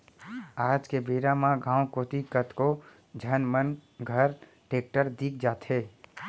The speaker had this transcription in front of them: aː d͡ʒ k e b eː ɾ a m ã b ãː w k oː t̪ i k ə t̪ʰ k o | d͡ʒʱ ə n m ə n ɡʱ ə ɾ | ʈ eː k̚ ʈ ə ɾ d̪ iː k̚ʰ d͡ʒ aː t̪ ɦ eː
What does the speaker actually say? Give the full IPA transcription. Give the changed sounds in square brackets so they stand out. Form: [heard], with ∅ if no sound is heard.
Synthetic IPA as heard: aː d͡ʒ k e b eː ɾ a m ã [ɡ] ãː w k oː t̪ i k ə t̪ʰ k o | d͡ʒʱ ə n m ə n ɡʱ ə ɾ | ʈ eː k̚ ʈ ə ɾ d̪ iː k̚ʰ d͡ʒ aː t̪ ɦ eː